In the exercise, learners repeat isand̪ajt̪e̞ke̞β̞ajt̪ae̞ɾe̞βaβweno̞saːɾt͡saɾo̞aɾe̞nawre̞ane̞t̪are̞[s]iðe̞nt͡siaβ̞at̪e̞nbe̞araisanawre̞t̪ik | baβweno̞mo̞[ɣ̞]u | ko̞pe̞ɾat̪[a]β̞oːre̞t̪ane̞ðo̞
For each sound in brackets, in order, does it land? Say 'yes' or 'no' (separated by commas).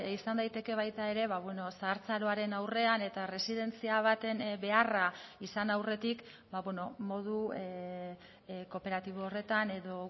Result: yes, no, no